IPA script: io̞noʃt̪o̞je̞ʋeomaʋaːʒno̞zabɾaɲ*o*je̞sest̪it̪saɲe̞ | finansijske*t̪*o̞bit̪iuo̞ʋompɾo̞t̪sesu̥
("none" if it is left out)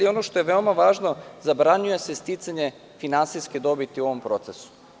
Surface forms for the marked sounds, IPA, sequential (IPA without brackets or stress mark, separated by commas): u, d̪